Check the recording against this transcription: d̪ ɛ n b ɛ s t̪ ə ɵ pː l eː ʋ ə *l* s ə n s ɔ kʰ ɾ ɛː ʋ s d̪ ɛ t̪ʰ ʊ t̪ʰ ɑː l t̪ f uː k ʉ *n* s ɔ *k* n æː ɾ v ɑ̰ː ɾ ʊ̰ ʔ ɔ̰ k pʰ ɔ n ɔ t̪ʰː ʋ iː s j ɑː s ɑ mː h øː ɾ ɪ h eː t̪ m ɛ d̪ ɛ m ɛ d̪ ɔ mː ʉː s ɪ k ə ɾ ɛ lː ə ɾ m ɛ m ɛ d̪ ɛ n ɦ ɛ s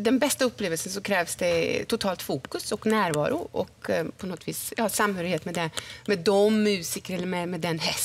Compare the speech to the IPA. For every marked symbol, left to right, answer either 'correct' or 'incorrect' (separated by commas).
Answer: correct, incorrect, correct